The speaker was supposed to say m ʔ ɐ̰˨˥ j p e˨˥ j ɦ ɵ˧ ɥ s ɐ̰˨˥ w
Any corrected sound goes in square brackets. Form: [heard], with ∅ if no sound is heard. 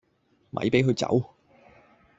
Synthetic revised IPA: m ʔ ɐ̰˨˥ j p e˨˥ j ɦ ɵ˧ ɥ [t͡s] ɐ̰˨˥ w